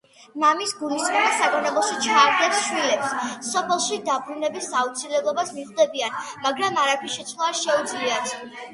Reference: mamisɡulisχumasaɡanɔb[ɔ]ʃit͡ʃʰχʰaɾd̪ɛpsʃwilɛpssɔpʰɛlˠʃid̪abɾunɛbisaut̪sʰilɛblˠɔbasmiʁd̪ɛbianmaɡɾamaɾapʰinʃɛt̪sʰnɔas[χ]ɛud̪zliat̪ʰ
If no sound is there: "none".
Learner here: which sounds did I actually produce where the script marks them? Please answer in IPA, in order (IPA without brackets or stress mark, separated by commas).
ɔ, ʃ